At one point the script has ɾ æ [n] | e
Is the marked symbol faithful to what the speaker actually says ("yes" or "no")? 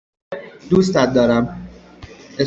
no